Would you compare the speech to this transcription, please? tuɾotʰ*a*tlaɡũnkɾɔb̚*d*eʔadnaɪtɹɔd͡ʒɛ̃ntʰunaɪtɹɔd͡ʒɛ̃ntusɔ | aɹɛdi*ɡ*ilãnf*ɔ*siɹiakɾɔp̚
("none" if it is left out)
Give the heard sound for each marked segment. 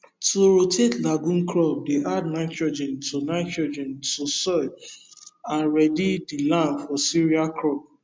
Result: e, d, d, ɔ

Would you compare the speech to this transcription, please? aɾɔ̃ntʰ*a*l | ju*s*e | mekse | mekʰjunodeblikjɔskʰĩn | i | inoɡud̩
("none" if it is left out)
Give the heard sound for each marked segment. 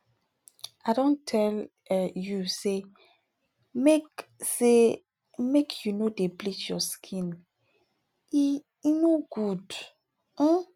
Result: ɛ, s

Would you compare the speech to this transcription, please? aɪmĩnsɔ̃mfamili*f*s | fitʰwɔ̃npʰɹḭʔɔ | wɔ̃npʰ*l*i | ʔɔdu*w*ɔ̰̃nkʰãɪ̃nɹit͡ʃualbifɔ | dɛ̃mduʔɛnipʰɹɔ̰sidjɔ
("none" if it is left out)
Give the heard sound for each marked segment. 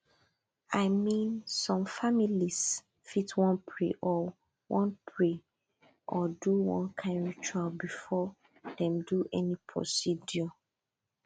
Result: none, ɹ, w

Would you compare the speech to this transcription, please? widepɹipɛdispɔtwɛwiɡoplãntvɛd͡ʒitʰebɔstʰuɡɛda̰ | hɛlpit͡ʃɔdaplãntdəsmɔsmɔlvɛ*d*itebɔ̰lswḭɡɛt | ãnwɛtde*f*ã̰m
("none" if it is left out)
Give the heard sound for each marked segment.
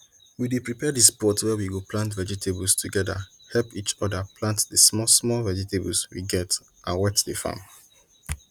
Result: d͡ʒ, f

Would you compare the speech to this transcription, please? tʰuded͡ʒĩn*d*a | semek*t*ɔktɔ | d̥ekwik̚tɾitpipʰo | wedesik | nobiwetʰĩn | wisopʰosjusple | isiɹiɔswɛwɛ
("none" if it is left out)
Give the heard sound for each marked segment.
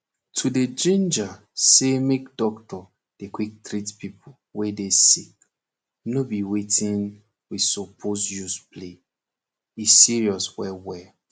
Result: d͡ʒ, d

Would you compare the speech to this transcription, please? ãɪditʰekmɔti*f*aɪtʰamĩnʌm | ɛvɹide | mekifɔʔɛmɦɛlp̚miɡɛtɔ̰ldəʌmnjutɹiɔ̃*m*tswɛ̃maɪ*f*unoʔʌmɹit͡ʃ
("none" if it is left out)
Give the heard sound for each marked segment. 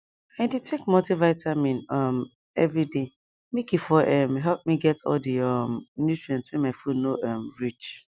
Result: v, n, f

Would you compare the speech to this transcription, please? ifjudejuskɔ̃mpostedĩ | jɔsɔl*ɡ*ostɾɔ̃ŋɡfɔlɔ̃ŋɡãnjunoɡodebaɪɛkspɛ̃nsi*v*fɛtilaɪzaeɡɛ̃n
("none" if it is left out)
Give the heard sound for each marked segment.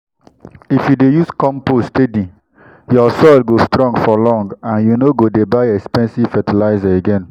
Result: ɡ, v

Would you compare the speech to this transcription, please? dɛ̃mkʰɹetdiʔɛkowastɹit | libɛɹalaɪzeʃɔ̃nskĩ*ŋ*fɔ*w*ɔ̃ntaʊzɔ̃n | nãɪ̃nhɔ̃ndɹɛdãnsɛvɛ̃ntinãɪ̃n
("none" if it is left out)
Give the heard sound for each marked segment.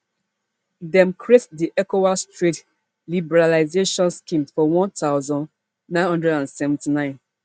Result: m, w

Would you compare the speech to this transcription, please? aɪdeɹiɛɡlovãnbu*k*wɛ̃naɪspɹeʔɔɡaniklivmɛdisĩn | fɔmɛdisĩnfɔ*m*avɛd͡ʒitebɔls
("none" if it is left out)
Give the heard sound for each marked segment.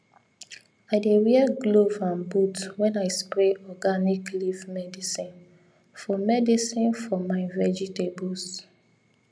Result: t, m

